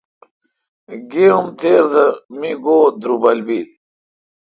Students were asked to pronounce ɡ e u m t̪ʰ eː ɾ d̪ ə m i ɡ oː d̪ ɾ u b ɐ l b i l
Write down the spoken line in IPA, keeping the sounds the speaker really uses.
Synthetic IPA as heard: ɡ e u m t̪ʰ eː ɾ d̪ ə m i ɡ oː d̪ ɾ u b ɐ l b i l